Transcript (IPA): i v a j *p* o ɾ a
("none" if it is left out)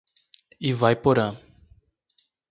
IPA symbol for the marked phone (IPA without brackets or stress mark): p